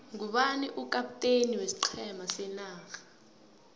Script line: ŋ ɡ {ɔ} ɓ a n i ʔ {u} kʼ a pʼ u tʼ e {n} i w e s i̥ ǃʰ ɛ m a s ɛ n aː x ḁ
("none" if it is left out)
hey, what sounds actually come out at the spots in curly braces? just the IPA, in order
u, u, n

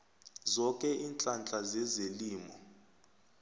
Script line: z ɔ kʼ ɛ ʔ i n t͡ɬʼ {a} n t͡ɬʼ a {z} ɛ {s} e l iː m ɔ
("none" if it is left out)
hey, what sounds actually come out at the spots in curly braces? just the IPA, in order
a, z, z

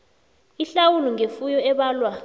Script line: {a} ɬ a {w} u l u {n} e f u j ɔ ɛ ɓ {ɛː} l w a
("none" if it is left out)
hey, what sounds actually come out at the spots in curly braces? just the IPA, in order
i, w, ŋ, aː

